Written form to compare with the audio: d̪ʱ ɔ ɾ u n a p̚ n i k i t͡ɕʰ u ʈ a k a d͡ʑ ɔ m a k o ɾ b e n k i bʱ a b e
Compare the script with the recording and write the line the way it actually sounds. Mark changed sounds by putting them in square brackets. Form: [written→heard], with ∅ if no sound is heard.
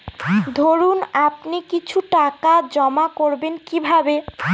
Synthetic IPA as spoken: d̪ʱ [ɔ→o] ɾ u n a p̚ n i k i t͡ɕʰ u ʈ a k a d͡ʑ ɔ m a k o ɾ b e n k i bʱ a b e